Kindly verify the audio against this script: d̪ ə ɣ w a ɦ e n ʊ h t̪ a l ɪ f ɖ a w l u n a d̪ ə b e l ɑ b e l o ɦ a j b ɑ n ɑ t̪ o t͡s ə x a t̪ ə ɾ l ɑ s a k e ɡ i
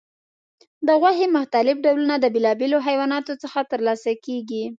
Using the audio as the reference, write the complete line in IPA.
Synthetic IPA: d̪ ə ɣ w a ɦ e m ʊ h t̪ a l ɪ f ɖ a w l u n a d̪ ə b e l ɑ b e l o ɦ a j w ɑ n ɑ t̪ o t͡s ə x a t̪ ə ɾ l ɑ s a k e ɡ i